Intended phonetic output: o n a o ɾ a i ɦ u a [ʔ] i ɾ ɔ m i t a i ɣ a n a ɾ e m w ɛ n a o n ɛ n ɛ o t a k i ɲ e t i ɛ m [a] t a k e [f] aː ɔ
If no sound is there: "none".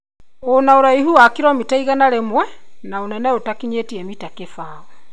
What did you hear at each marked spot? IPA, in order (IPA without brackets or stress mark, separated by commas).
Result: k, i, f